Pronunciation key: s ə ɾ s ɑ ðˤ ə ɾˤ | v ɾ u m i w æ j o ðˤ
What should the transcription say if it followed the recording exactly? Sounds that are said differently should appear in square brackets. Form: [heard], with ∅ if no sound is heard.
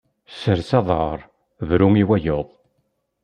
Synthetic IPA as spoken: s ə ɾ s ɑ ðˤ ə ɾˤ | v ɾ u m i w æ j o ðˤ